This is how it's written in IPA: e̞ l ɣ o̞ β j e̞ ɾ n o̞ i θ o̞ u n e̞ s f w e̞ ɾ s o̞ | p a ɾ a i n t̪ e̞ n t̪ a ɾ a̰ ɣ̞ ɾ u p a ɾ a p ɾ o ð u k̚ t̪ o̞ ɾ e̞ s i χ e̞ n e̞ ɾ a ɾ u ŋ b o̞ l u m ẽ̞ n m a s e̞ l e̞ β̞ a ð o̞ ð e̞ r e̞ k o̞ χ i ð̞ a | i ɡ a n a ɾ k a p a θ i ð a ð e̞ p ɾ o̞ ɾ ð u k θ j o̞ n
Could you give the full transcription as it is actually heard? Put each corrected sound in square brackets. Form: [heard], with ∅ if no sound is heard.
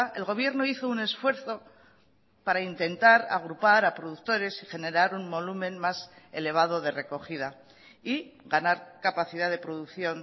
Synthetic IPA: e̞ l ɣ o̞ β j e̞ ɾ n o̞ i θ o̞ u n e̞ s f w e̞ ɾ [θ] o̞ | p a ɾ a i n t̪ e̞ n t̪ a ɾ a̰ ɣ̞ ɾ u p a ɾ a p ɾ o ð u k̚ t̪ o̞ ɾ e̞ s i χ e̞ n e̞ ɾ a ɾ u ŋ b o̞ l u m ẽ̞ n m a s e̞ l e̞ β̞ a ð o̞ ð e̞ r e̞ k o̞ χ i ð̞ a | i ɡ a n a ɾ k a p a θ i ð a ð e̞ p ɾ o̞ [∅] ð u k θ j o̞ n